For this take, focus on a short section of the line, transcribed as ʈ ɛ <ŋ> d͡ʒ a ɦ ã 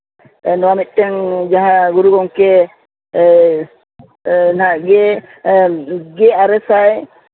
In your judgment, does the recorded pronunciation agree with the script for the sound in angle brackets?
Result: yes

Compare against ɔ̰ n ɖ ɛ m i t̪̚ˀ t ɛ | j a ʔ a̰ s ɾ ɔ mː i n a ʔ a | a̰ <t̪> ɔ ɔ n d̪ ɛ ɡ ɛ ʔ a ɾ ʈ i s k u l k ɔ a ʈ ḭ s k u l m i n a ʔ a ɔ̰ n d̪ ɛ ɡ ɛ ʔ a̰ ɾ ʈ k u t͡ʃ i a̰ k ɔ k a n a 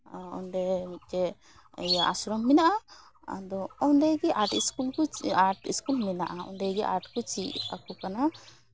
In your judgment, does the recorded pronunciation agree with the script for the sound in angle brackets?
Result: no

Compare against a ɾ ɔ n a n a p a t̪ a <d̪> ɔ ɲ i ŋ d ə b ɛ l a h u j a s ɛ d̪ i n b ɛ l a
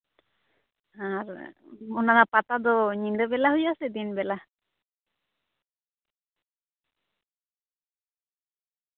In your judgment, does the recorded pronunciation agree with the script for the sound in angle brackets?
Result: yes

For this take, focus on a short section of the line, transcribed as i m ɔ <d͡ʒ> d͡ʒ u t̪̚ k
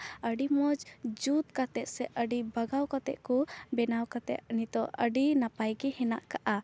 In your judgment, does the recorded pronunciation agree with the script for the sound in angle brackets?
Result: yes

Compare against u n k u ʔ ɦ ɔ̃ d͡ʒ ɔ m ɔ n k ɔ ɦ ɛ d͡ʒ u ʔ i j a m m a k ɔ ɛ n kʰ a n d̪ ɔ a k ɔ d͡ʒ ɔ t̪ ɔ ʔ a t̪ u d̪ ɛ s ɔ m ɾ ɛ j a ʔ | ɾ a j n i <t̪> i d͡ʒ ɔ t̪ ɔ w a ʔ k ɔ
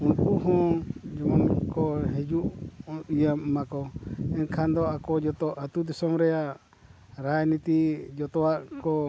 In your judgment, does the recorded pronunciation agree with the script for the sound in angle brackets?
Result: yes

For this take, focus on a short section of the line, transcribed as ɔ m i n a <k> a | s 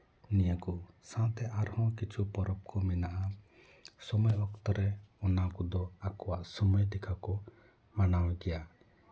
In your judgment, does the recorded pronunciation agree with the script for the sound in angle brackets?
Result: no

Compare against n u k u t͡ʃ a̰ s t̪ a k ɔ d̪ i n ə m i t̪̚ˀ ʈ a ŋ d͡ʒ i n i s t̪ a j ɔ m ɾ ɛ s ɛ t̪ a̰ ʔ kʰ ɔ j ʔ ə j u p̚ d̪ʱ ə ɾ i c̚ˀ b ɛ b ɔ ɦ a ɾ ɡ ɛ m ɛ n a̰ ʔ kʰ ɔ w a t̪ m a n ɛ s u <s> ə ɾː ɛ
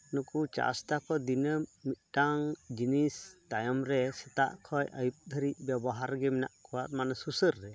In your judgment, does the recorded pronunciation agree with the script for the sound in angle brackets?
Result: yes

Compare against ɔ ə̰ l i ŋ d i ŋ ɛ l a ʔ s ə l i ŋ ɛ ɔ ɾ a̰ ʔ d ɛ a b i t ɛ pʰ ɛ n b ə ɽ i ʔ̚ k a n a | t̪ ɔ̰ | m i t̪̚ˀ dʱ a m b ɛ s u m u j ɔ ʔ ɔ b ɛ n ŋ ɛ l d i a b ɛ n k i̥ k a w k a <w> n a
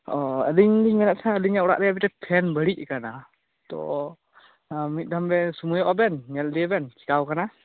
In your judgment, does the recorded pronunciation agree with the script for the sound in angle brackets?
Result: no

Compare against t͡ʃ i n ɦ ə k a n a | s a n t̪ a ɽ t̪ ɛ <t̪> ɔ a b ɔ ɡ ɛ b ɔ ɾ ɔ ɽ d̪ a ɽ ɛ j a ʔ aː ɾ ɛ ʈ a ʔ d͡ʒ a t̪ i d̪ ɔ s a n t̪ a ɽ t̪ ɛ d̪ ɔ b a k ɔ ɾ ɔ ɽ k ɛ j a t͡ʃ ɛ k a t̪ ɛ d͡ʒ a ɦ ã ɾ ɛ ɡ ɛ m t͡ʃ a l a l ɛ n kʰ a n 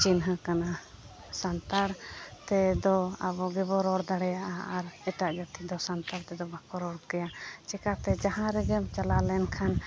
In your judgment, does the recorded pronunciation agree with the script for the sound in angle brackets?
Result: no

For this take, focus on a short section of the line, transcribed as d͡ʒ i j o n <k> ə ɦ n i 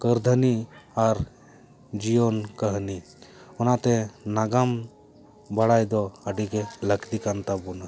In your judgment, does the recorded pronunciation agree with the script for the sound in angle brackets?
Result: yes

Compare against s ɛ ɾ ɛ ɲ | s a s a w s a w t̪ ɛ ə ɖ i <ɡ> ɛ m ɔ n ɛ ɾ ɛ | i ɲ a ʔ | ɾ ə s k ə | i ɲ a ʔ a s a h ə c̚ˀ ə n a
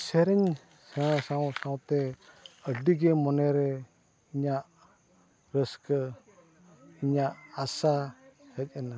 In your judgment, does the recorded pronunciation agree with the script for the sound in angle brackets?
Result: yes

